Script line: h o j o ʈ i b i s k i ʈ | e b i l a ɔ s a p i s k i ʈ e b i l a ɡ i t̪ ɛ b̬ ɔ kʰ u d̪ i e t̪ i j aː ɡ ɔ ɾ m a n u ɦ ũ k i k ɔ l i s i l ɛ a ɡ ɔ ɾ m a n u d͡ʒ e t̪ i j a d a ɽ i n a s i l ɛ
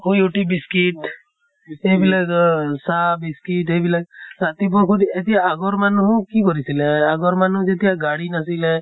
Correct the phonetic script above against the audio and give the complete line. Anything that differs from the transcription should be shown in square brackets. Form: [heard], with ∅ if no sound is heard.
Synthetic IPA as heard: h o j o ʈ i b i s k i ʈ | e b i l a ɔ s a [b] i s k i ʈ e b i l a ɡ [a] t̪ [i] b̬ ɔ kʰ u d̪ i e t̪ i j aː ɡ ɔ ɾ m a n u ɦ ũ k i k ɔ [ɾ] i s i l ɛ a ɡ ɔ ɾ m a n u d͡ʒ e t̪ i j a [ɡ] a ɽ i n a s i l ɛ